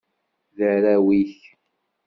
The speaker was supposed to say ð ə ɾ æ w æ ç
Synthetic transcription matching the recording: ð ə ɾ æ w i ç